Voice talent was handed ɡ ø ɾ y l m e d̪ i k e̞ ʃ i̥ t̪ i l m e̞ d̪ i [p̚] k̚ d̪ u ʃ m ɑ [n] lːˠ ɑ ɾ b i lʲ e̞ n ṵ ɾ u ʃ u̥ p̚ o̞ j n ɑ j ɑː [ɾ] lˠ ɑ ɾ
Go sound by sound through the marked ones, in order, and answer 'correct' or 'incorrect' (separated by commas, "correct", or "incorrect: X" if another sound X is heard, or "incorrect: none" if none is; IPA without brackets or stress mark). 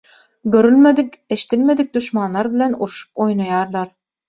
incorrect: none, correct, correct